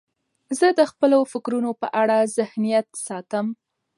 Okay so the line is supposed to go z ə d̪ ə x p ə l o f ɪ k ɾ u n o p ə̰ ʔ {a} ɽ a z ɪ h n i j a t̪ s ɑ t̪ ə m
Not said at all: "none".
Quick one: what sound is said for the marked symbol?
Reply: a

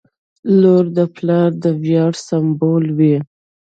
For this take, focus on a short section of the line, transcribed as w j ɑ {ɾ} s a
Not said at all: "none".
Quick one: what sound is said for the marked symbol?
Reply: ɽ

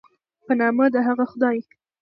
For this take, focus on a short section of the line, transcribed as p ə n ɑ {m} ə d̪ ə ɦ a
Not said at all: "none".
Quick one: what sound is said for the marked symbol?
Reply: m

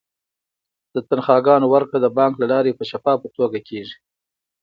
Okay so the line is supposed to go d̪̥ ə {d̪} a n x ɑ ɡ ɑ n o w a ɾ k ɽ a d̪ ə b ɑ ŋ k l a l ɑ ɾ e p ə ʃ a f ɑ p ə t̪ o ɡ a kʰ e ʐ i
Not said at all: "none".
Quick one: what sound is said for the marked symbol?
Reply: t̪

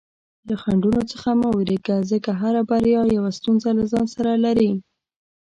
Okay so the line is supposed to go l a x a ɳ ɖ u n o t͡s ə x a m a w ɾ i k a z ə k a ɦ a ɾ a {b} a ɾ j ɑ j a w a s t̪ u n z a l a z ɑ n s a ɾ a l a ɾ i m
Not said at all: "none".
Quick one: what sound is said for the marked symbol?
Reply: b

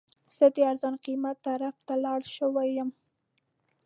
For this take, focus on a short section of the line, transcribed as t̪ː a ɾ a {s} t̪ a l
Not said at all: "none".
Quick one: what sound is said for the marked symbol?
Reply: f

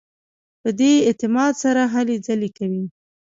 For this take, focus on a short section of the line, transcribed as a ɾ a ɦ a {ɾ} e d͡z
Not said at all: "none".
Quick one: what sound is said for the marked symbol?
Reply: l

